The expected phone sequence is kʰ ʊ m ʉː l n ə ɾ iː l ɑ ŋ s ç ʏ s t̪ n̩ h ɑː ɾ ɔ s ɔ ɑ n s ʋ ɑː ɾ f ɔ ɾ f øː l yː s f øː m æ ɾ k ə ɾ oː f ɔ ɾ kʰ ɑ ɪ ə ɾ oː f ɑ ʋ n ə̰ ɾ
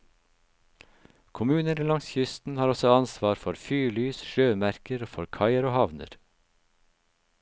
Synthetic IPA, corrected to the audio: kʰ ʊ m ʉː n ə ɾ iː l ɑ ŋ s ç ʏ s t̪ n̩ h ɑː ɾ ɔ s ɔ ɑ n s ʋ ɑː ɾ f ɔ ɾ f yː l yː s ʃ øː m æ ɾ k ə ɾ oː f ɔ ɾ kʰ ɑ ɪ ə ɾ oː h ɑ ʋ n ə̰ ɾ